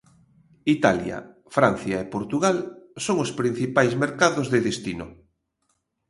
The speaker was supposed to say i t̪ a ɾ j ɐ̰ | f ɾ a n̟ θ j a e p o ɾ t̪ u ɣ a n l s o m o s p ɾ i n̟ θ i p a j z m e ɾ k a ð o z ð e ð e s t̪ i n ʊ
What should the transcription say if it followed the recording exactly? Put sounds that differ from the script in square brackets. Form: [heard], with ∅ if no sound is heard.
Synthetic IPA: i t̪ a [l] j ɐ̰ | f ɾ a n̟ θ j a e p o ɾ t̪ u ɣ a [∅] l s o [ŋ] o s p ɾ i n̟ θ i p a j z m e ɾ k a ð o z ð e ð e s t̪ i n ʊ